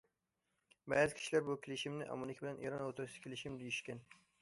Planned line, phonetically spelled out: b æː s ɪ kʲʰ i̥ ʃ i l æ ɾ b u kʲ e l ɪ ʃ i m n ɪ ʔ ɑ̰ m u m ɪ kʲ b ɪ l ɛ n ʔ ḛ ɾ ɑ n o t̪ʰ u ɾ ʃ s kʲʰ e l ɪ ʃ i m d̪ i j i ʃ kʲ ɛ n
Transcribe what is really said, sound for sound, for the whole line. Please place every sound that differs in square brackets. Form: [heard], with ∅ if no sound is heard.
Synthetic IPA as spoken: b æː [z] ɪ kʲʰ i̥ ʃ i l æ ɾ b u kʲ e l ɪ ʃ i m n ɪ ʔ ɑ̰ m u [n] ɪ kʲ b ɪ l ɛ n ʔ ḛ ɾ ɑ n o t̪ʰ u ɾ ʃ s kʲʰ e l ɪ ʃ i m d̪ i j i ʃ kʲ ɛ n